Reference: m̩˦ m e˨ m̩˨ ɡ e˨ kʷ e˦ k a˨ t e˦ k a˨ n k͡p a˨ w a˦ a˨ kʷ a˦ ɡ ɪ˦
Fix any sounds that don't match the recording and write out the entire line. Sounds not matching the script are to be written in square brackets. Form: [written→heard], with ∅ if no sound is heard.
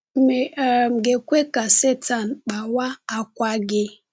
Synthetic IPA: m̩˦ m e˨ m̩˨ ɡ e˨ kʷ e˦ k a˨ [t→s] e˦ [k→t] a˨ n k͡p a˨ w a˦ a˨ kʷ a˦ ɡ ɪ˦